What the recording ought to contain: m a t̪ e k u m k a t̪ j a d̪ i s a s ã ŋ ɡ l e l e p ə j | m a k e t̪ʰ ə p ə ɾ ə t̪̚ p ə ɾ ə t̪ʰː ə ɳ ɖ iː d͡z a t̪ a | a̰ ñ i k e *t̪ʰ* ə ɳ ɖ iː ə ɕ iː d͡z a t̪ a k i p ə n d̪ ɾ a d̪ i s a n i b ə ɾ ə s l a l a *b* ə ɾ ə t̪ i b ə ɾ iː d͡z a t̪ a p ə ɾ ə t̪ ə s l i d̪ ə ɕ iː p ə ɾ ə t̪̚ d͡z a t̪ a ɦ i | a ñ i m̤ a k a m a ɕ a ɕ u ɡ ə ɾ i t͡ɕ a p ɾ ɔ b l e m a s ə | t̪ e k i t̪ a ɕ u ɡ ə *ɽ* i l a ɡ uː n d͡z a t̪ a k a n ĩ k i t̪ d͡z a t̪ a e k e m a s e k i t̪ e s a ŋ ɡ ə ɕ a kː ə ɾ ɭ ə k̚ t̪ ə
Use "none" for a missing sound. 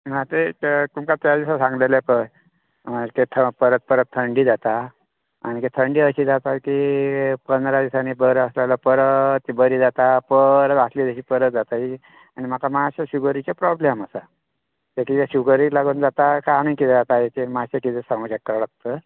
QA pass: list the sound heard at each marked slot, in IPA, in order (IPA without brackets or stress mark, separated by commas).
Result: t̪ʰ, p, ɾ